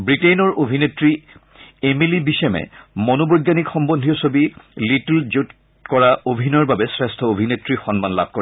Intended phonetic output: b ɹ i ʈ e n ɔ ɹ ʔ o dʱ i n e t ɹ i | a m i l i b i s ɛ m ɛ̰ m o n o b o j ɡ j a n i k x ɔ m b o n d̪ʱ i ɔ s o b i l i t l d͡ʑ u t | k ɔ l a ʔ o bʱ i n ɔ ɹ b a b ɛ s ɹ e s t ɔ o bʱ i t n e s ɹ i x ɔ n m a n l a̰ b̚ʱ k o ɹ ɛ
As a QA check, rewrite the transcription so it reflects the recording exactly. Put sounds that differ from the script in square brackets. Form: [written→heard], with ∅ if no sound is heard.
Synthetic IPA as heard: b ɹ i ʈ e n ɔ ɹ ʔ o [dʱ→bʱ] i n e t ɹ i | [a→e] m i l i b i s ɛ m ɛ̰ m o n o b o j ɡ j a n i k x ɔ m b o n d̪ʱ i ɔ s o b i l i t l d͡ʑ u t | k ɔ [l→ɹ] a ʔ o bʱ i n ɔ ɹ b a b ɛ s ɹ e s [t→tʰ] ɔ o bʱ i [t→∅] n e [s→t] ɹ i x ɔ n m a n l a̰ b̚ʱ k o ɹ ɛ

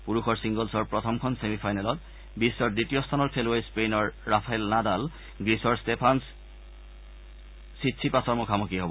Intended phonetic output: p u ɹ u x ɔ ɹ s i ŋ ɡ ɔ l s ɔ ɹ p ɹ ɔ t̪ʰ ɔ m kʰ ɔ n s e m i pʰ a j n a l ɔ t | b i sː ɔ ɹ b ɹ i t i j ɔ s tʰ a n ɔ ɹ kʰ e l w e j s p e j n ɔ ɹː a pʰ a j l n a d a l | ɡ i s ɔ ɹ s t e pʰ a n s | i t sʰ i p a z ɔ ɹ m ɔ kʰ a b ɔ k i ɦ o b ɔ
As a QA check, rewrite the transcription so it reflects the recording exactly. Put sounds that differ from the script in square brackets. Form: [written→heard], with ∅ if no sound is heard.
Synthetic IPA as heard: p u ɹ u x ɔ ɹ s i ŋ ɡ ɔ l s ɔ ɹ p ɹ ɔ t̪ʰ ɔ m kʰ ɔ n s e m i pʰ a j n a l ɔ t | b i sː ɔ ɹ [b→d] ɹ i t i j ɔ s tʰ a n ɔ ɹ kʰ e l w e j s p e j n ɔ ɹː a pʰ a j l n a d a l | ɡ i s ɔ ɹ s t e pʰ a n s | i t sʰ i p a [z→s] ɔ ɹ m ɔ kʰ a [b→m] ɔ k i ɦ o b ɔ

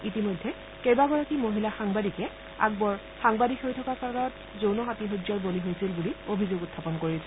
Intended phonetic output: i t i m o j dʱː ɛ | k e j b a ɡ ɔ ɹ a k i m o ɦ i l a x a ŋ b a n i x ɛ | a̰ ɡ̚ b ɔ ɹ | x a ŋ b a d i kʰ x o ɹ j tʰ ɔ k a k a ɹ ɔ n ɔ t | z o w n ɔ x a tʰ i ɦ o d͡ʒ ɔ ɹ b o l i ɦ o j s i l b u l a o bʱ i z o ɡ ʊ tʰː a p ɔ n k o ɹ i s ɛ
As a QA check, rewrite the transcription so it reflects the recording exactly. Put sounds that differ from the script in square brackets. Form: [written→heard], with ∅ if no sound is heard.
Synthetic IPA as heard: i t i m o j dʱː ɛ | k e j b a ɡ ɔ ɹ a k i m o ɦ i l a x a ŋ b a [n→d] i [x→k] ɛ | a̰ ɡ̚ b ɔ ɹ | x a ŋ b a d i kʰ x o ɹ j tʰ ɔ k a k a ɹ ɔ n ɔ t | z o w n ɔ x a [tʰ→t] i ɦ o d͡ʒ ɔ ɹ b o l i ɦ o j s i l b u l [a→i] o bʱ i z o ɡ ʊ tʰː a p ɔ n k o ɹ i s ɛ

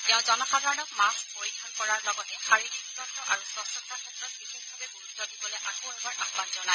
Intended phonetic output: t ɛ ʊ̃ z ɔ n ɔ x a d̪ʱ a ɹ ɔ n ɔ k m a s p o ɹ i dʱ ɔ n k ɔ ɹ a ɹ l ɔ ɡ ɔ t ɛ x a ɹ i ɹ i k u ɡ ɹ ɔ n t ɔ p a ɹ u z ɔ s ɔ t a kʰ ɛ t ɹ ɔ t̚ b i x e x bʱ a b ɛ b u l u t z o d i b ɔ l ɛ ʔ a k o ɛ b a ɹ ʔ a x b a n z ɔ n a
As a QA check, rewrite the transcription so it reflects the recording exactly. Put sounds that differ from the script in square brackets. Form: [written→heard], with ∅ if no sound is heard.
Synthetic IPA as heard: t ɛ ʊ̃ z ɔ n ɔ x a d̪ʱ a ɹ ɔ n ɔ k m a s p o ɹ i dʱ ɔ n k ɔ ɹ a ɹ l ɔ ɡ ɔ t ɛ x a ɹ i ɹ i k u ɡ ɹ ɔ n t ɔ [p→ʔ] a ɹ u [z→s] ɔ s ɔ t a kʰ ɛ t ɹ ɔ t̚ b i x e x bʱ a b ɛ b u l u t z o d i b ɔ l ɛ ʔ a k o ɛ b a ɹ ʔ a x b a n z ɔ n a

